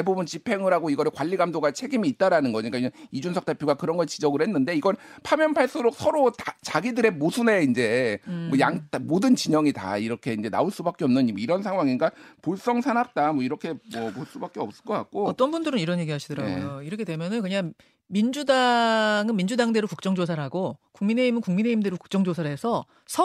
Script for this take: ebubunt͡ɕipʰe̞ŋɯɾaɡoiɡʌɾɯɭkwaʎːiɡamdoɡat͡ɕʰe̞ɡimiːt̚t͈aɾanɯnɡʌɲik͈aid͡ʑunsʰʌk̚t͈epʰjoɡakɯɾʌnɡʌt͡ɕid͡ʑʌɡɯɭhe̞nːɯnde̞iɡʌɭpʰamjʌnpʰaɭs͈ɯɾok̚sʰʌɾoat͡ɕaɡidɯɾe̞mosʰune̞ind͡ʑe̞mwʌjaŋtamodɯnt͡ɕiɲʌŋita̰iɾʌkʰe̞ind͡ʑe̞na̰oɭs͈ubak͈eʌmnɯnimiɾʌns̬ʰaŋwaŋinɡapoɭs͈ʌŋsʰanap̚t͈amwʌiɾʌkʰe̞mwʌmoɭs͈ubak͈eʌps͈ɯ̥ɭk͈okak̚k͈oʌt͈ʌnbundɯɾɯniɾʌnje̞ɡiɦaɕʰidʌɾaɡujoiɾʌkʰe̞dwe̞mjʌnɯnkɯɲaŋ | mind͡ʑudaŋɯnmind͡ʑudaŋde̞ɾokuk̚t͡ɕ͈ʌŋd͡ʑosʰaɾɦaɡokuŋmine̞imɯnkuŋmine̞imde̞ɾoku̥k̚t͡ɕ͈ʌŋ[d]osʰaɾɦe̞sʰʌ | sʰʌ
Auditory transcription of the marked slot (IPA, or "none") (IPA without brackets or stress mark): d͡ʑ